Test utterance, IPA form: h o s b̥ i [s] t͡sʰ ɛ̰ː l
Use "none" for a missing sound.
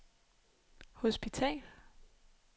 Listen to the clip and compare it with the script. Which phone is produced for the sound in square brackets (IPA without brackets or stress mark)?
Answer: none